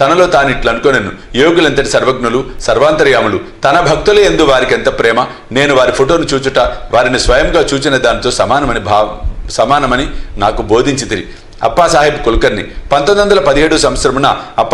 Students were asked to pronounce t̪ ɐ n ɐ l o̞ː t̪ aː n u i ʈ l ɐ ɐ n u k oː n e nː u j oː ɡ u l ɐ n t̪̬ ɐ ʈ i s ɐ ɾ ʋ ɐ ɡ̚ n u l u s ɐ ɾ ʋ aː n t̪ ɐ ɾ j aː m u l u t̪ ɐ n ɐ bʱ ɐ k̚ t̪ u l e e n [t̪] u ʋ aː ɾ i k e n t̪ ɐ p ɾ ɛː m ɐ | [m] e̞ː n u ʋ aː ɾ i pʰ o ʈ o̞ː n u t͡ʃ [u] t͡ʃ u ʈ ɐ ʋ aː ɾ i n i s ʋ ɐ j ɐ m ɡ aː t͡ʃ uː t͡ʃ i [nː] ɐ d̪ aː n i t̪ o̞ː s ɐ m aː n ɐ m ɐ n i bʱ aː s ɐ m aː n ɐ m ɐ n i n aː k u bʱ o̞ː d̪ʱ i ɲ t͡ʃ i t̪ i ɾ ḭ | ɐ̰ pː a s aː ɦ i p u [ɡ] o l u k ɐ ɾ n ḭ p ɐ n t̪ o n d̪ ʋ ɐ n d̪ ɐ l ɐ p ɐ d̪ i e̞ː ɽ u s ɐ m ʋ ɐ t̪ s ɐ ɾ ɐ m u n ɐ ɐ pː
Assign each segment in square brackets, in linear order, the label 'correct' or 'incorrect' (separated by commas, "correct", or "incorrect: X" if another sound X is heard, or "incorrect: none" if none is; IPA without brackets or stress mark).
incorrect: d̪, incorrect: n, incorrect: uː, incorrect: n, incorrect: k